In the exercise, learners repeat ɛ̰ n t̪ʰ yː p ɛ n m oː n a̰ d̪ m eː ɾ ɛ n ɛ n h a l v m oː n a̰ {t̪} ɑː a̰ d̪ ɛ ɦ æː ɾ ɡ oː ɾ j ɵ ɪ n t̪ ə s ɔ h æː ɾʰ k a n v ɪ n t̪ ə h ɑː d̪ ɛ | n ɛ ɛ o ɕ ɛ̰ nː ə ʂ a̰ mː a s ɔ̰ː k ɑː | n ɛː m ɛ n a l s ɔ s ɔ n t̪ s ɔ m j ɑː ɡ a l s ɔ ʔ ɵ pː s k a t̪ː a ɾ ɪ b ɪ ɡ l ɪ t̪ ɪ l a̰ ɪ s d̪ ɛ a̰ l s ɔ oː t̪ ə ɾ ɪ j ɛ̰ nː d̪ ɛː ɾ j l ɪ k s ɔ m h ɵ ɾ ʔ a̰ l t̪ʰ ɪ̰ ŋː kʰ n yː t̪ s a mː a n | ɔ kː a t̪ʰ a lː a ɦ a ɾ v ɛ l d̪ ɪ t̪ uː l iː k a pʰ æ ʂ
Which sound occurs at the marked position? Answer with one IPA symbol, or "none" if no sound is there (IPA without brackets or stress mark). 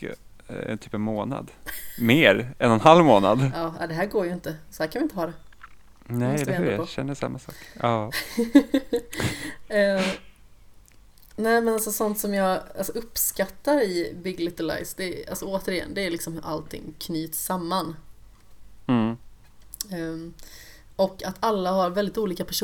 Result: d̪